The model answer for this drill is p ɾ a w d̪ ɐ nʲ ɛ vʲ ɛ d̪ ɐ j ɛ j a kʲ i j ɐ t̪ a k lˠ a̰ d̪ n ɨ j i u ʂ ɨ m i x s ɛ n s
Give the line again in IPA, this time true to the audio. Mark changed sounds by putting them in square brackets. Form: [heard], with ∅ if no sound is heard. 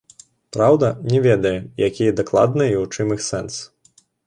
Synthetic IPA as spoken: p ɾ a w d̪ ɐ nʲ ɛ vʲ ɛ d̪ ɐ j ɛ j a kʲ i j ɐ [d̪] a k lˠ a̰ d̪ n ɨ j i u [t͡ʂ] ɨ m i x s ɛ n s